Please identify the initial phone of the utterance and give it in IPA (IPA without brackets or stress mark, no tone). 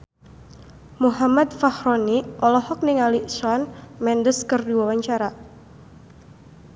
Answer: m